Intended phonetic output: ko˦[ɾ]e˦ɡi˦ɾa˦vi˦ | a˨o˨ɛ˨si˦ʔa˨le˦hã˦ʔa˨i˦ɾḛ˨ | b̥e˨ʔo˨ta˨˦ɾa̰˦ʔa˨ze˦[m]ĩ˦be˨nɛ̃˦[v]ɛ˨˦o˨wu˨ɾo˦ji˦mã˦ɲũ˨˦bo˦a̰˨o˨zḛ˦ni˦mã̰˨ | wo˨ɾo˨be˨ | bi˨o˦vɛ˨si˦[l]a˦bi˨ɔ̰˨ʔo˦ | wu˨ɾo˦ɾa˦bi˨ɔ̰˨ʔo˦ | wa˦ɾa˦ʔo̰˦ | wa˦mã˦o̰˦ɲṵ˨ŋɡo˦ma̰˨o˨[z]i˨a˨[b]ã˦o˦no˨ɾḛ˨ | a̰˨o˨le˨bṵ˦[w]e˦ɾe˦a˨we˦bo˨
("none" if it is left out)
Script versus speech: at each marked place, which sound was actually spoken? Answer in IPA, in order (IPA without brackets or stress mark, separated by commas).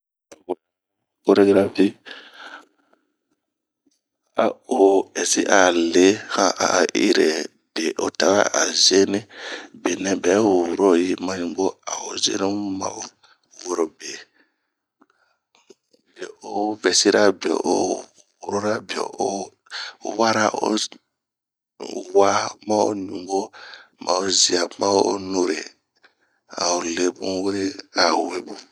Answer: ɾ, n, b, ɾ, z, m, w